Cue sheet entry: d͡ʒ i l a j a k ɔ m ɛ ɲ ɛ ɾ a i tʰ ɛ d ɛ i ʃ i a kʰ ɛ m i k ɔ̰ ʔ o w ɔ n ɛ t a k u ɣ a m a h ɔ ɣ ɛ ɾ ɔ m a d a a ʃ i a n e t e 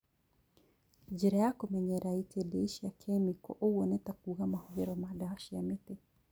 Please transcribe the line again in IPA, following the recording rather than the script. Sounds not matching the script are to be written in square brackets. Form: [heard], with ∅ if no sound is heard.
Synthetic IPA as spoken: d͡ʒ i [ɾ] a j a k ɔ m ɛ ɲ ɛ ɾ a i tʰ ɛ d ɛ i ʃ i a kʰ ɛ m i k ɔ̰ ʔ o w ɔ n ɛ t a k u ɣ a m a h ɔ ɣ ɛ ɾ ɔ m a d a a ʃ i a [m] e t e